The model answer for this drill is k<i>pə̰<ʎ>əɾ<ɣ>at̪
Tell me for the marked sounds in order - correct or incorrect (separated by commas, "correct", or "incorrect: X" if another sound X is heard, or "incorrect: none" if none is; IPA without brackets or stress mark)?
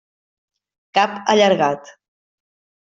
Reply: incorrect: a, correct, correct